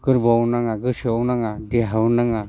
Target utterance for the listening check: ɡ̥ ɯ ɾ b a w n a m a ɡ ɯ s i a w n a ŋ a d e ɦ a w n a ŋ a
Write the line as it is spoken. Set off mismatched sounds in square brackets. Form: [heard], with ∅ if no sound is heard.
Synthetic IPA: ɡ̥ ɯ ɾ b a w n a [ŋ] a ɡ ɯ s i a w n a ŋ a d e ɦ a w n a ŋ a